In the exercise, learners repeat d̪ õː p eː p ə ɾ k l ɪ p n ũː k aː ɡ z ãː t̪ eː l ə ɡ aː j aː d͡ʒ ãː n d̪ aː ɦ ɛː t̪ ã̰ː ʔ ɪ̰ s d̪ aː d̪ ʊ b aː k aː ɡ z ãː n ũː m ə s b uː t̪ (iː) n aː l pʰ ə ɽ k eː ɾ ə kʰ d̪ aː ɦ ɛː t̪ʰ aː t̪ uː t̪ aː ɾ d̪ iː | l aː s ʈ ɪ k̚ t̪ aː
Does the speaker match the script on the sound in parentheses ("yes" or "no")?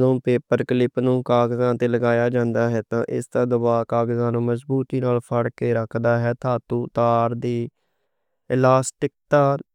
yes